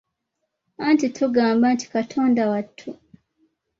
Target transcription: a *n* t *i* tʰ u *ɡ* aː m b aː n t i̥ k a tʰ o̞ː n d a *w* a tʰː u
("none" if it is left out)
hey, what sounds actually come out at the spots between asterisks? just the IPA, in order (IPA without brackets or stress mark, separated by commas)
n, i, ɡ, w